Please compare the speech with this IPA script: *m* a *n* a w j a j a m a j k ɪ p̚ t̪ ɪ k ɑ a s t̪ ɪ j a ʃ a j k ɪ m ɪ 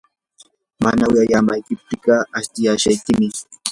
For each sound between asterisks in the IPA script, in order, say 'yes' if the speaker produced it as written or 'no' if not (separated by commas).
yes, yes